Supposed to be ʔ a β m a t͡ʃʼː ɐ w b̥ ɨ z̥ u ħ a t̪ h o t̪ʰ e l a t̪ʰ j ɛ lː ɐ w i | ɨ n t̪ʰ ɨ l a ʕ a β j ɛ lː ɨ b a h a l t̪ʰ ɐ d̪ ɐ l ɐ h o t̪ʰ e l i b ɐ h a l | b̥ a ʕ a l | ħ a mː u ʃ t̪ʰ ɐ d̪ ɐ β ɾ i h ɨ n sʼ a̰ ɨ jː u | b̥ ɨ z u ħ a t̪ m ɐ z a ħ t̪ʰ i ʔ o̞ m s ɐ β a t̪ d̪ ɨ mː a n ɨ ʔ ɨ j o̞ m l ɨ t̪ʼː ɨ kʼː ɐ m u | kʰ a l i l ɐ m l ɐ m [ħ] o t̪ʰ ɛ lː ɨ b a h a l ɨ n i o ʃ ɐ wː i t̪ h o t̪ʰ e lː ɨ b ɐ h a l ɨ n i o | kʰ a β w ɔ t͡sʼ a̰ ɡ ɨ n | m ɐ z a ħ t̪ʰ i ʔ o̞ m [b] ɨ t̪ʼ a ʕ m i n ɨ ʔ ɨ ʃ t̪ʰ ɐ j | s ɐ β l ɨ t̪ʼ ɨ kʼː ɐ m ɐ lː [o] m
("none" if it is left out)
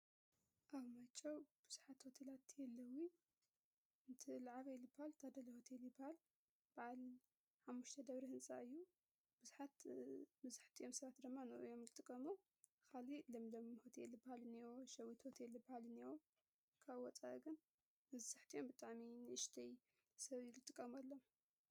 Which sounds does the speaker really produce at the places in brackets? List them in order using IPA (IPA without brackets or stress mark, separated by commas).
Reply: h, b, o